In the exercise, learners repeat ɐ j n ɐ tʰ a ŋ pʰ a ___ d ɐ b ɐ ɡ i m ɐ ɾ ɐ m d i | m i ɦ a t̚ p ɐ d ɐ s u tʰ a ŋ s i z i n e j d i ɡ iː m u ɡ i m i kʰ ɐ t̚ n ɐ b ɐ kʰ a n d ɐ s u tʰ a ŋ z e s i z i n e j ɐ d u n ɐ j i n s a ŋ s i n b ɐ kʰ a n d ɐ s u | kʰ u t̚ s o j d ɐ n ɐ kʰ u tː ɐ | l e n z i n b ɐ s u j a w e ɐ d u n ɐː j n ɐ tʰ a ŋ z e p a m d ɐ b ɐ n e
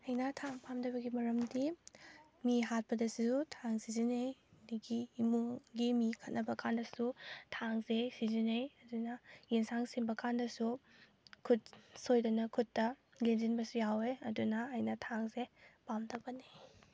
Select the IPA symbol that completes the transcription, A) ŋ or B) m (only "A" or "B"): B